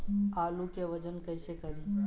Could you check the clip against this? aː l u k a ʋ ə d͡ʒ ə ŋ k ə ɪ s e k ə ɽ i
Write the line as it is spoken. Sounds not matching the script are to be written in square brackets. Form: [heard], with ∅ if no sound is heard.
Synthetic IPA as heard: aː l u k [e] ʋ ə d͡ʒ ə [n] k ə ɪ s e k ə [ɾ] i